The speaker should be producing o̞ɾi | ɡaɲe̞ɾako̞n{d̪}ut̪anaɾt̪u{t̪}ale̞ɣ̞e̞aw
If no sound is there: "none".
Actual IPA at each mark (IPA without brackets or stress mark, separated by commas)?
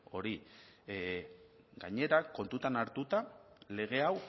t̪, t̪